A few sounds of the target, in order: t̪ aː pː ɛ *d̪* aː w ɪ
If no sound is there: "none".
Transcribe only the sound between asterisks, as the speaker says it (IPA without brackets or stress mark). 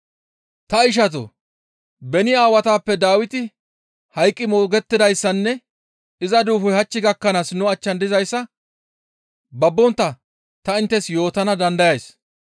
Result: d̪